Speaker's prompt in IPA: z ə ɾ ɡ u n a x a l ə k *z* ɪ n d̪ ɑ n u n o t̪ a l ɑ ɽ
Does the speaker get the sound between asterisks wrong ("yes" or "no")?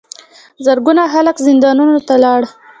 no